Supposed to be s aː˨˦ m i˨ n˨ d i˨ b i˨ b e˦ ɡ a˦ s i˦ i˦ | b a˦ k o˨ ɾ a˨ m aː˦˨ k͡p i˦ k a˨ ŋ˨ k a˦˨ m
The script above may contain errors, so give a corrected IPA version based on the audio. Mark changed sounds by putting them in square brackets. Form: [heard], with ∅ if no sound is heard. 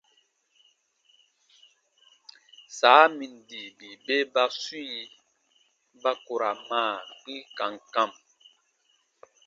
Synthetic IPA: s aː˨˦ m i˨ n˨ d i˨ b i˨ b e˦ [b] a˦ s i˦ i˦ | b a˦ k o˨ ɾ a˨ m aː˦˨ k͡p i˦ k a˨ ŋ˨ k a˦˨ m